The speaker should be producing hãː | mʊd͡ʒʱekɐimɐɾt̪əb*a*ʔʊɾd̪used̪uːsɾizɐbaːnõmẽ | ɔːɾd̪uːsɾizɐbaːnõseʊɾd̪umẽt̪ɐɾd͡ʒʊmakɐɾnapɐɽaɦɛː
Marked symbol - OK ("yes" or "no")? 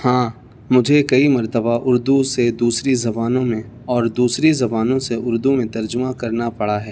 yes